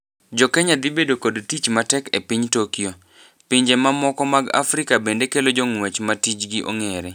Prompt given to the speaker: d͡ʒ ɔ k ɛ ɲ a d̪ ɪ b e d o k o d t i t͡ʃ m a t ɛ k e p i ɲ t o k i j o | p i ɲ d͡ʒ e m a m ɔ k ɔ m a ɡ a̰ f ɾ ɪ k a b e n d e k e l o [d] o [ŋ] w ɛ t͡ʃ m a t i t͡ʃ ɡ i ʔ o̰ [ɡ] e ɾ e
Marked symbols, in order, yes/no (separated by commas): no, yes, no